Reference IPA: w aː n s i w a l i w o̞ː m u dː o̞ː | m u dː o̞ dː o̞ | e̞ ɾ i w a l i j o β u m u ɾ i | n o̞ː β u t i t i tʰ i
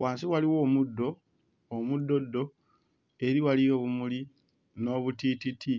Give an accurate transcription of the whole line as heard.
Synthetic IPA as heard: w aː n s i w a l i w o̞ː m u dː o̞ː | m u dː o̞ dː o̞ | e̞ ɾ i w a l i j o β u m u l i | n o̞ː β u t i t i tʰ i